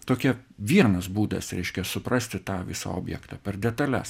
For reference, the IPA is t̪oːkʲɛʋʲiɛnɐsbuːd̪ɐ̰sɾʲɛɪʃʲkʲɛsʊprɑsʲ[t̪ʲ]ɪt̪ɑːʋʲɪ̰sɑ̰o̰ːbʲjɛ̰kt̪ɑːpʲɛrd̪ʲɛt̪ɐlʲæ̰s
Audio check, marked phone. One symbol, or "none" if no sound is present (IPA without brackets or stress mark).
t̪ʲ